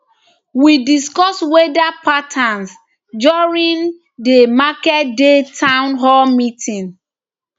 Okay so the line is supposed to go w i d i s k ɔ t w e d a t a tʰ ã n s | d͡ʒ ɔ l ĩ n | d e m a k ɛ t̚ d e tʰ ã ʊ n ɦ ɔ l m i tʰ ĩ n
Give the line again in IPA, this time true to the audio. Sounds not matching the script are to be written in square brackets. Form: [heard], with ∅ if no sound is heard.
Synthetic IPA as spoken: w i d i s k ɔ [s] w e d a [p] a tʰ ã n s | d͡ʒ ɔ [ɹ] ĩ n | d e m a k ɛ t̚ d e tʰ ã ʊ n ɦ ɔ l m i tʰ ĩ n